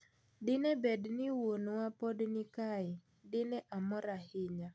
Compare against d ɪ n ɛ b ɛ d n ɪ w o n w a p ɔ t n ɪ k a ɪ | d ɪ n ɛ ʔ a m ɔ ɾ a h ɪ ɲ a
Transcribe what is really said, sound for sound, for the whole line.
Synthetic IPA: d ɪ n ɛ b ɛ d n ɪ w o n w a p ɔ d n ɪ k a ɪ | d ɪ n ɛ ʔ a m ɔ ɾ a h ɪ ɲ a